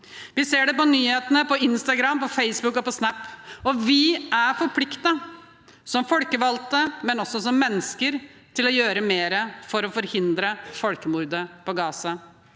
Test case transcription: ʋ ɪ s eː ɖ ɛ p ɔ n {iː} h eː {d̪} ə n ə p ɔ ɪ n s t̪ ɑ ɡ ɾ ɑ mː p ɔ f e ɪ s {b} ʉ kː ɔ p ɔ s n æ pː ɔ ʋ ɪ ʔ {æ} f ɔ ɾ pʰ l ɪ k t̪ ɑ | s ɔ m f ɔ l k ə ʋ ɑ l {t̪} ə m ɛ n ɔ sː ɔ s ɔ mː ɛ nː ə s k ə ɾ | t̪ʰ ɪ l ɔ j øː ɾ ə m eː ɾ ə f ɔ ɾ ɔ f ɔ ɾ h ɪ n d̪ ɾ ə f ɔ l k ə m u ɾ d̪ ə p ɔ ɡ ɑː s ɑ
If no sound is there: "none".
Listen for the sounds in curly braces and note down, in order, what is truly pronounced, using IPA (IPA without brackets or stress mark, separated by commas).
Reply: yː, t̪, b, æ, t̪